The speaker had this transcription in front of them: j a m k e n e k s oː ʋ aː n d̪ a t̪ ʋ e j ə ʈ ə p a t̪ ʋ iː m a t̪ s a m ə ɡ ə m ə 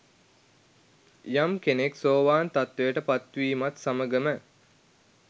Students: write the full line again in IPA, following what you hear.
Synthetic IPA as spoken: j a m k e n e k s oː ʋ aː n t̪ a t̪ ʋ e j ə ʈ ə p a t̪ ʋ iː m a t̪ s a m ə ɡ ə m ə